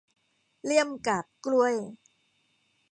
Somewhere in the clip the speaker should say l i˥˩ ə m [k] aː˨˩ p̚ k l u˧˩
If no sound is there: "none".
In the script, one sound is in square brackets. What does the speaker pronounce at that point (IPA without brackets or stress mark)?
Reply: k